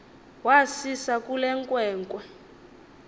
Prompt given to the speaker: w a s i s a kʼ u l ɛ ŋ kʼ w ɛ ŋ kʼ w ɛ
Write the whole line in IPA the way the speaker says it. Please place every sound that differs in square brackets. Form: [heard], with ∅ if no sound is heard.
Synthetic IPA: w a s i s a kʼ u l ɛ ŋ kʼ w [ɛː] ŋ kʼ w ɛ